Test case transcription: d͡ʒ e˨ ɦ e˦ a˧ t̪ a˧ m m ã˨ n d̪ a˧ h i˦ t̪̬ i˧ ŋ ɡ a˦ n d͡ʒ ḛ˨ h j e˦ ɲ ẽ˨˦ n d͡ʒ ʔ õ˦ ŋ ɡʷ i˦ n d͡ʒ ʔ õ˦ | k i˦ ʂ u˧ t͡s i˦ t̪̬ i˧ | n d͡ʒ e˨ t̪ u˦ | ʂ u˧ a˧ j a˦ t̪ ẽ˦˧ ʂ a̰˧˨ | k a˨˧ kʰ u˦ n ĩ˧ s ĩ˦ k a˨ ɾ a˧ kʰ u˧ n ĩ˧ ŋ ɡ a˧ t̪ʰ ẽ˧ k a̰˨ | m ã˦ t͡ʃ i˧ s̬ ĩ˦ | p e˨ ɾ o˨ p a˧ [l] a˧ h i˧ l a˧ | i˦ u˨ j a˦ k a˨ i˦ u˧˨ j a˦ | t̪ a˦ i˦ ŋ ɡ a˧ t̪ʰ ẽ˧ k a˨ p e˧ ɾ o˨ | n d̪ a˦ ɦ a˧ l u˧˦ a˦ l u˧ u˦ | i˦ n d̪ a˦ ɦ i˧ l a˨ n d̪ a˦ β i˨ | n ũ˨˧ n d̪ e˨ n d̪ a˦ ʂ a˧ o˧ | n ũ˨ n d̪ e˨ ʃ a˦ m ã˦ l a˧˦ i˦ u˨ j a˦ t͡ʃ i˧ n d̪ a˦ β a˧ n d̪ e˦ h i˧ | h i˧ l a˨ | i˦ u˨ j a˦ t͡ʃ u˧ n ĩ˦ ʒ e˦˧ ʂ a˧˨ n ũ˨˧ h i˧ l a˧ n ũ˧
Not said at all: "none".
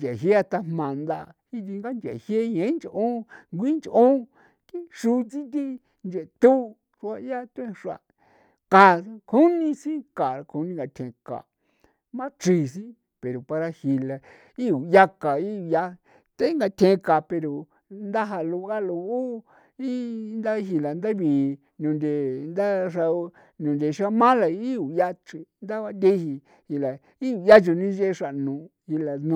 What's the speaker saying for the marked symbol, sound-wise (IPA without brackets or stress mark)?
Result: ɾ